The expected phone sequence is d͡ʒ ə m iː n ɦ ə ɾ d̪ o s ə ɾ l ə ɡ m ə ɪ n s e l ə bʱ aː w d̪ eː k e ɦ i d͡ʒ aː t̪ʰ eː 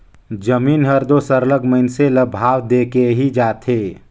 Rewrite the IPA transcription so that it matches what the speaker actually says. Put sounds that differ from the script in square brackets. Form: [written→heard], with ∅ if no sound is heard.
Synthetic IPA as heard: d͡ʒ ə m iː n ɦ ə ɾ d̪ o s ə ɾ l ə ɡ m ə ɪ n s e l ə bʱ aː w d̪ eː k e ɦ i d͡ʒ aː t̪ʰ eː